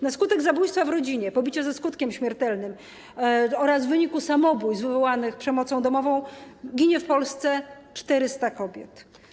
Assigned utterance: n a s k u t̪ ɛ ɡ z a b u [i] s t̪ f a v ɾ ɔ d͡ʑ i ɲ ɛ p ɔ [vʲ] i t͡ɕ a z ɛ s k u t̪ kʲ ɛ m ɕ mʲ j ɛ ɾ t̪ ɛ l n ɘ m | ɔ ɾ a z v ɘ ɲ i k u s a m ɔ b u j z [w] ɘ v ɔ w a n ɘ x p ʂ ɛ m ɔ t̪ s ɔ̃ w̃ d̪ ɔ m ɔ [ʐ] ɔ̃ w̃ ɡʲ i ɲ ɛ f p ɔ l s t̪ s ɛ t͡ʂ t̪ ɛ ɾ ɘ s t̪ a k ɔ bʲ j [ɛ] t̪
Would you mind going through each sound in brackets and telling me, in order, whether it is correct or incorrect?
incorrect: j, incorrect: bʲ, incorrect: v, incorrect: v, correct

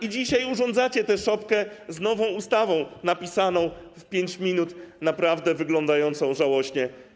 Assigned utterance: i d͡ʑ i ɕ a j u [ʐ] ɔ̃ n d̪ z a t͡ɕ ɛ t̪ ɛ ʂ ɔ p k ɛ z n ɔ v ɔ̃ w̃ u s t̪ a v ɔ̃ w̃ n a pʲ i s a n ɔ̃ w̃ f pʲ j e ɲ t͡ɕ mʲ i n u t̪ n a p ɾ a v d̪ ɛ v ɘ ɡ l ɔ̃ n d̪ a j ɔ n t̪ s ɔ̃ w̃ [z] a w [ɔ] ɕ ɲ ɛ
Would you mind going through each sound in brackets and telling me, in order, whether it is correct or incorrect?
correct, incorrect: ʐ, correct

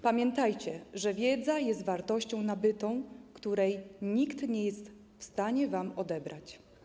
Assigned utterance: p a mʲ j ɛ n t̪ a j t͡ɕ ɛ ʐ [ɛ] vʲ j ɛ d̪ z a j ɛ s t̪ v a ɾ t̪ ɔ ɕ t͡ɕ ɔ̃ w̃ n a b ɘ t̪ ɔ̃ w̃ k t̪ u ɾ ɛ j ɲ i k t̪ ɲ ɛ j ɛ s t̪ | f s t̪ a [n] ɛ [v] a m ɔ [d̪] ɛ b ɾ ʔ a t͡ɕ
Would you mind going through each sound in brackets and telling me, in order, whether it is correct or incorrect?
correct, incorrect: ɲ, correct, correct

